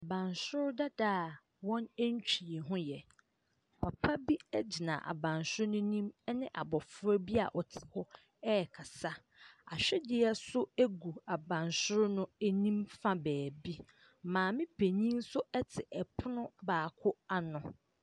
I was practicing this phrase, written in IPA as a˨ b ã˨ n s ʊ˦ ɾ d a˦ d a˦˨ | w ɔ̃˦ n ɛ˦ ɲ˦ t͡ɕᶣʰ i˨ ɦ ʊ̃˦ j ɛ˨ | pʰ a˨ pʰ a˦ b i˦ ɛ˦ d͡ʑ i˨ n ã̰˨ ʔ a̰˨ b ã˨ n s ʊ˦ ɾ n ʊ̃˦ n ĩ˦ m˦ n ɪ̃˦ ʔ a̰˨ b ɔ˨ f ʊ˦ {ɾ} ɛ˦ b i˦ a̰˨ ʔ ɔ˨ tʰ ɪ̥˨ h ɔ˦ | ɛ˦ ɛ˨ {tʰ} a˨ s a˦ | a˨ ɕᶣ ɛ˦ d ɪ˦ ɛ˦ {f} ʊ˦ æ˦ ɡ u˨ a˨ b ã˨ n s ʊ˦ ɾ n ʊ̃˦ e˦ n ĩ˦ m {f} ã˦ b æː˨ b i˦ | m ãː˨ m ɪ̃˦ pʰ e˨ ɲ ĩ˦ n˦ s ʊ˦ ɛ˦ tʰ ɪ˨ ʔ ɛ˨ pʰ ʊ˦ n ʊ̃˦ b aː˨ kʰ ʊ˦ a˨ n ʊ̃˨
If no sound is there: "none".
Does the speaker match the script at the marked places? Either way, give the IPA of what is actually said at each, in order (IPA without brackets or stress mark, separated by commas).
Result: ɾ, kʰ, s, f